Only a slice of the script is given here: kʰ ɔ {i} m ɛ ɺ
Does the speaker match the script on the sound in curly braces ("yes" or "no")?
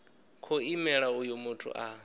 yes